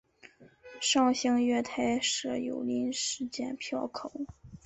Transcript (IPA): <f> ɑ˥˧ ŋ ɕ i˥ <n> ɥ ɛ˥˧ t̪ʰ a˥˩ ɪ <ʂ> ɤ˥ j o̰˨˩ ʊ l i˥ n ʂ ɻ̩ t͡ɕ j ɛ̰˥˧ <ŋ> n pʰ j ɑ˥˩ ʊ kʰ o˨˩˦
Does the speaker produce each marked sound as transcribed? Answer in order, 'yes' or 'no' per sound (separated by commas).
no, no, yes, no